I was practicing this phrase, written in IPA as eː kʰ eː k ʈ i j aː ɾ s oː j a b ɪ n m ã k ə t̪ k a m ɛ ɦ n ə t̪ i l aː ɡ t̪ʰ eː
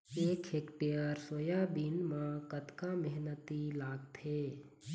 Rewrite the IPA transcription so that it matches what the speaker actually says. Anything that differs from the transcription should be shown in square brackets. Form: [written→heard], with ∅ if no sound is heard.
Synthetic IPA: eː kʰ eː k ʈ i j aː ɾ s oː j a b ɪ n m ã k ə t̪ k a m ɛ ɦ n ə t̪ i l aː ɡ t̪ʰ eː

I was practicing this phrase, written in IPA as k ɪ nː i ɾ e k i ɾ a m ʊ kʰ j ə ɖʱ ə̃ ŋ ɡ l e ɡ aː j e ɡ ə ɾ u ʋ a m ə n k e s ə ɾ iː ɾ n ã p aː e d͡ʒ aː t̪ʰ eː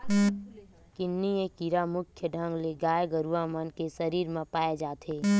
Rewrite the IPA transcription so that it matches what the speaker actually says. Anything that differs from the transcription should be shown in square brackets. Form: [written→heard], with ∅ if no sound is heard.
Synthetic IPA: k ɪ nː i [ɾ→∅] e k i ɾ a m ʊ kʰ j ə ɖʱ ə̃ ŋ ɡ l e ɡ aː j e ɡ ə ɾ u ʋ a m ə n k e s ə ɾ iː ɾ [n→m] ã p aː e d͡ʒ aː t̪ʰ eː

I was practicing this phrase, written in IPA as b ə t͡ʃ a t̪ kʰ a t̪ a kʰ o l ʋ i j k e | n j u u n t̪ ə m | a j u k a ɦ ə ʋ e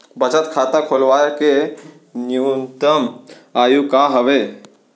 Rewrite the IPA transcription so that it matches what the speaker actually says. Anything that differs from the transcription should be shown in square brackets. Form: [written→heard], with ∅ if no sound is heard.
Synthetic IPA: b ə t͡ʃ [a→ə] t̪ kʰ a t̪ a kʰ o l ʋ [i→a] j k e | n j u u n t̪ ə m | a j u k a ɦ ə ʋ e

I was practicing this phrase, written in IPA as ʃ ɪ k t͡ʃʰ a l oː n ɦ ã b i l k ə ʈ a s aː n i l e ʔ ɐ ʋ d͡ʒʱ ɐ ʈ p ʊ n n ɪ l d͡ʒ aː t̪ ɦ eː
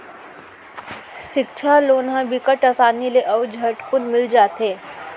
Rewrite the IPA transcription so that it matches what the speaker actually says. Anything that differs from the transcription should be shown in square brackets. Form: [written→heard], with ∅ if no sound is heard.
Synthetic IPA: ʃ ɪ k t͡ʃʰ a l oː n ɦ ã b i [l→∅] k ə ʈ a s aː n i l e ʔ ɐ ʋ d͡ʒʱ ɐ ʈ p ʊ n [n→m] ɪ l d͡ʒ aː t̪ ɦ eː

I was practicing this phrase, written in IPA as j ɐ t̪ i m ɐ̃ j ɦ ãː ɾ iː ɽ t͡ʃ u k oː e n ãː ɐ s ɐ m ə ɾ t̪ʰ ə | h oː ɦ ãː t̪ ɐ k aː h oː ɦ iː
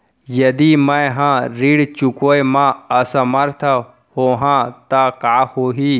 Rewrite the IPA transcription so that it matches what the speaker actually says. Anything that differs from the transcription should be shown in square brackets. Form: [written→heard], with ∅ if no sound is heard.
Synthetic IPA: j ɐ [t̪→d̪] i m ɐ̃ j ɦ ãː ɾ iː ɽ t͡ʃ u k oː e [n→m] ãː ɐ s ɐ m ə ɾ t̪ʰ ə | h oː ɦ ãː t̪ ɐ k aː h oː ɦ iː

